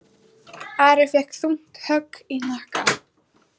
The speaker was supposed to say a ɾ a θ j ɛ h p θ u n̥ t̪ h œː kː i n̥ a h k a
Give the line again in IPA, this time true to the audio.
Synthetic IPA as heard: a ɾ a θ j ɛ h k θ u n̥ t̪ h œ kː i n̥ a h k a